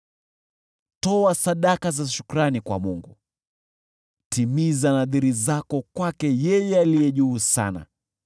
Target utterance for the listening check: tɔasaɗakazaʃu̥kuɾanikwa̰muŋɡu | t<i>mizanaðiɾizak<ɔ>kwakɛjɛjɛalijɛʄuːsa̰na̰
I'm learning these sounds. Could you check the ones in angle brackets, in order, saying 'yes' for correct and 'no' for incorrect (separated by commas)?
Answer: yes, yes